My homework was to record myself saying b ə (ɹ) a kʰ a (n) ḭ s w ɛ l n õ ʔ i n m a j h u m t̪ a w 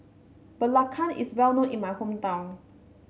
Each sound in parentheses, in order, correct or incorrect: incorrect: l, correct

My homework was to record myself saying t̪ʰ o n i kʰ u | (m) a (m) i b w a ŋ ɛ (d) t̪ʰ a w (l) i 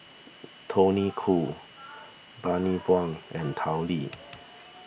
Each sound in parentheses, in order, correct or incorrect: incorrect: b, incorrect: n, incorrect: n, correct

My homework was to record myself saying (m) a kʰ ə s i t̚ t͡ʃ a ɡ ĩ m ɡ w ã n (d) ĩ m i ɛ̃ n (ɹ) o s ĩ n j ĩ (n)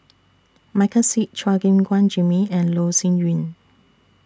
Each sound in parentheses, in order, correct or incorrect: correct, incorrect: d͡ʒ, incorrect: l, correct

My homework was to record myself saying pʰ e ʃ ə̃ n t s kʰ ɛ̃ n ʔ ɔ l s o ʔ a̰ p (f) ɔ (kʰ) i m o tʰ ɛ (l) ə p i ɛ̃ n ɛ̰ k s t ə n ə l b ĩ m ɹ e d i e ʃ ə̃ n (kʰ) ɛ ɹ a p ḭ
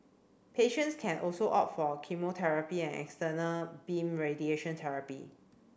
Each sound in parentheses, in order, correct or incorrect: correct, correct, incorrect: ɹ, incorrect: tʰ

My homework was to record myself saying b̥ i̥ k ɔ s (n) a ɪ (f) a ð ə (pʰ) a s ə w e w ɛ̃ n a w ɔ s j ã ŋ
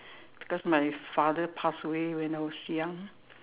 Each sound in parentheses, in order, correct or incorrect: incorrect: m, correct, correct

